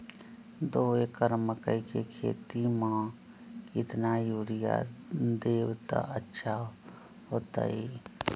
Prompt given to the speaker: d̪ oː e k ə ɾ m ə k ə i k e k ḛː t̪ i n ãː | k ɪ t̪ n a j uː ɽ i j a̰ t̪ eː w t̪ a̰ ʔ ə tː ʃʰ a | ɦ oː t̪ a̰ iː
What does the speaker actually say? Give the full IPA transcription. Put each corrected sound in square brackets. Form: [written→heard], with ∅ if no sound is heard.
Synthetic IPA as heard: d̪ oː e k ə ɾ m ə k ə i k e [k→kʰ] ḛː t̪ i [n→m] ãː | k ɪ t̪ n a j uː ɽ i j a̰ [t̪→d̪] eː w t̪ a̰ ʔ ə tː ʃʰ a | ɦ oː t̪ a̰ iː